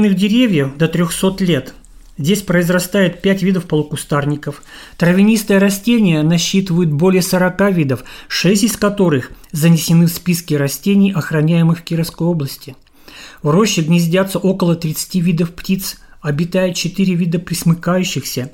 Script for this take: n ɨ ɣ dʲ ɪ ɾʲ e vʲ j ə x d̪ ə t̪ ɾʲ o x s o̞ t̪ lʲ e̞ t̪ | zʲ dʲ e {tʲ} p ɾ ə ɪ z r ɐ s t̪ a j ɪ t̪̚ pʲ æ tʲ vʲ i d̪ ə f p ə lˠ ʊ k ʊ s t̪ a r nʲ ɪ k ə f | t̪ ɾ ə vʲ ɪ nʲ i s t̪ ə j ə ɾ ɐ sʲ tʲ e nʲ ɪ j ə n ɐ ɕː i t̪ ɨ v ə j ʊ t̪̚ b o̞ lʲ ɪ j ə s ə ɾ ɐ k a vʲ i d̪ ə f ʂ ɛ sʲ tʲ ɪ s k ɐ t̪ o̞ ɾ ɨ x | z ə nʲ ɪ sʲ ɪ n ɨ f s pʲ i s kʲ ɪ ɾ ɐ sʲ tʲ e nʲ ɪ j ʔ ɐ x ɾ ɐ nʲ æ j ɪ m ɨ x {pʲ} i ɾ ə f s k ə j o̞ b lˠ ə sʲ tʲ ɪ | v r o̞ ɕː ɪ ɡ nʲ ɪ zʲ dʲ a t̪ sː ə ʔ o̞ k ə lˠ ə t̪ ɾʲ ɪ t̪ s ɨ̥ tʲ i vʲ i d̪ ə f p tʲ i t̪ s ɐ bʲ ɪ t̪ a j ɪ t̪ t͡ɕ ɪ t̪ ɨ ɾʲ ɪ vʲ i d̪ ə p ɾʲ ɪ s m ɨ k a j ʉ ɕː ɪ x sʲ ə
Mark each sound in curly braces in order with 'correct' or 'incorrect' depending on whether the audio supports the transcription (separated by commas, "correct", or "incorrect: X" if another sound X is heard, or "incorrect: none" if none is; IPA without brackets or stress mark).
incorrect: sʲ, incorrect: kʲ